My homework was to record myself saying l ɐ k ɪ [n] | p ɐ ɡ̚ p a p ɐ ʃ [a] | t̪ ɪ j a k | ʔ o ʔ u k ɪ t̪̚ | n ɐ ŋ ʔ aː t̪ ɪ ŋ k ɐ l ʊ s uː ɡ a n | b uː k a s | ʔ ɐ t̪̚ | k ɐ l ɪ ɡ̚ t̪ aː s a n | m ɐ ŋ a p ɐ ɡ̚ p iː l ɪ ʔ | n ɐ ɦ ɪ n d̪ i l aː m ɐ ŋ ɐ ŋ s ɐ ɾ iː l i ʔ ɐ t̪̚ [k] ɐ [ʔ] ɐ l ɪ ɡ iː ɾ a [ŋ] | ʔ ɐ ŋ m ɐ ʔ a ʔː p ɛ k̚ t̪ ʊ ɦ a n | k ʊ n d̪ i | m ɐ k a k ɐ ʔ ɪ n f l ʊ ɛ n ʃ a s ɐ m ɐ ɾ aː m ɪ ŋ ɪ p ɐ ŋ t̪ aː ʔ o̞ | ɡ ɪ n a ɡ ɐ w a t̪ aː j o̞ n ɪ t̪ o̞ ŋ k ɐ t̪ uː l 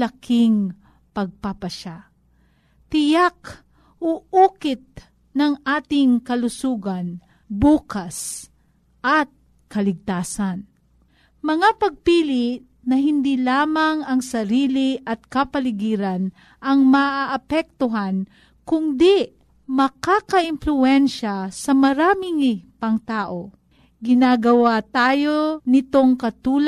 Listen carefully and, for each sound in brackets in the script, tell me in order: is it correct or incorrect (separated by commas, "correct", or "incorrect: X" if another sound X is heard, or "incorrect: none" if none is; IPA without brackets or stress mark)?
incorrect: ŋ, correct, correct, incorrect: p, incorrect: n